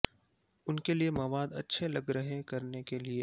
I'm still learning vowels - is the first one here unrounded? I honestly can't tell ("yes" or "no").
no